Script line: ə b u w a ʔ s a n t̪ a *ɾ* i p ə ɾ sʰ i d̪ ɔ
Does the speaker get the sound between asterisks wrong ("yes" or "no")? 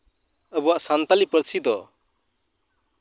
yes